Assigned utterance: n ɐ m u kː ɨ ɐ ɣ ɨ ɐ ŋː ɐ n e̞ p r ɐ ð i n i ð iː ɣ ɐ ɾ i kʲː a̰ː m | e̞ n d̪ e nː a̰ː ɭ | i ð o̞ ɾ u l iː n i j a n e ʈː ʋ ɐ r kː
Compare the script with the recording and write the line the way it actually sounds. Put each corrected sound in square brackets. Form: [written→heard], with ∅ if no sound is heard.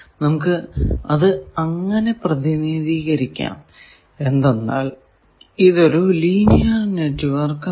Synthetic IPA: n ɐ m u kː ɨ ɐ [ɣ→ð] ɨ ɐ ŋː ɐ n e̞ p r ɐ ð i n i ð iː ɣ ɐ ɾ i kʲː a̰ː m | e̞ n d̪ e nː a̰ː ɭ | i ð o̞ ɾ u l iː n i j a n e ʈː ʋ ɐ r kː